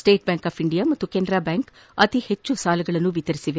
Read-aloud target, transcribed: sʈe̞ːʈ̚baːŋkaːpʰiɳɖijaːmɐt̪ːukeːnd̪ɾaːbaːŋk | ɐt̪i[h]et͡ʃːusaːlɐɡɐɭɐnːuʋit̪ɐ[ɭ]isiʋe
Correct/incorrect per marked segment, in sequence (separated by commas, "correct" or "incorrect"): correct, incorrect